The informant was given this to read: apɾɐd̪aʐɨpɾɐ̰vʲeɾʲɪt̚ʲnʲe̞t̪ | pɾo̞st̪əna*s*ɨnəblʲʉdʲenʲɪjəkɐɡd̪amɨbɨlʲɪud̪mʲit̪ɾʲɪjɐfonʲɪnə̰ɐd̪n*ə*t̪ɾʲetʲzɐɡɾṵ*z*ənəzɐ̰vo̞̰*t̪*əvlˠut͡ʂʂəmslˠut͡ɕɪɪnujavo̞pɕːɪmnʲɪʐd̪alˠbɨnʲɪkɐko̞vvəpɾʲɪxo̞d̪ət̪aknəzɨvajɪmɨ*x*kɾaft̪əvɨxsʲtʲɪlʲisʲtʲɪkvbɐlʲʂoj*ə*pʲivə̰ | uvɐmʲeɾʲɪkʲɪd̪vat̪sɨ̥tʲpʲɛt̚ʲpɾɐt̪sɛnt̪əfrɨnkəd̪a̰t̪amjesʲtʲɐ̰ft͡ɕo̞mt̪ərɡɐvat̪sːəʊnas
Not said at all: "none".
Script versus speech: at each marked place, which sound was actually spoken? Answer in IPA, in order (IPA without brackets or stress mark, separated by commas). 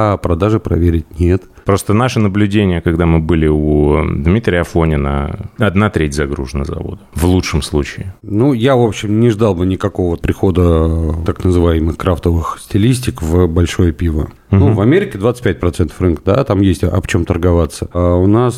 ʂ, a, ʐ, d̪, x, ə